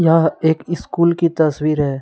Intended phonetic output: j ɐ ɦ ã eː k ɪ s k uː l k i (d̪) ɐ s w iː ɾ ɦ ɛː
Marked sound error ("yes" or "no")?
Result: yes